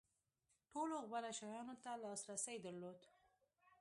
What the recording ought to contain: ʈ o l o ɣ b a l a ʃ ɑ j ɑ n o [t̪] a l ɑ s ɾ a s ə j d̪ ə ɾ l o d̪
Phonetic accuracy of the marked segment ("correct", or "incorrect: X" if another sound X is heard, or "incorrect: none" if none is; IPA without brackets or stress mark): correct